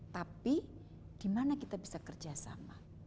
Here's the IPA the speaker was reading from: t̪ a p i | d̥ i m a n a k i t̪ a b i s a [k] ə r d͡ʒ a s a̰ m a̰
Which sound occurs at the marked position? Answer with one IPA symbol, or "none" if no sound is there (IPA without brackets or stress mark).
k